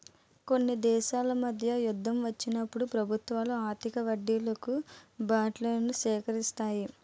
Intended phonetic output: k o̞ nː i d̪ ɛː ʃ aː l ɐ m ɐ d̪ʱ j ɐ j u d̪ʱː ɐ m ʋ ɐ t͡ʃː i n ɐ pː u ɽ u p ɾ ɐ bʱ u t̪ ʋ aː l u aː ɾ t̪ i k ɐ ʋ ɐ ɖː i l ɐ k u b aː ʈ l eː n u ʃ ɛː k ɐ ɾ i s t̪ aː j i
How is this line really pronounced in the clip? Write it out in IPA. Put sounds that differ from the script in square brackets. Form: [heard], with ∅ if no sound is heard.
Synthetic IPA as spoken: k o̞ nː i d̪ ɛː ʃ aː l ɐ m ɐ d̪ʱ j ɐ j u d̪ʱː ɐ m ʋ ɐ t͡ʃː i n ɐ pː u ɽ u p ɾ ɐ bʱ u t̪ ʋ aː l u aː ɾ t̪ i k ɐ ʋ ɐ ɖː i l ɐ k u b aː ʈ l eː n u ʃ ɛː k ɐ ɾ i s t̪ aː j i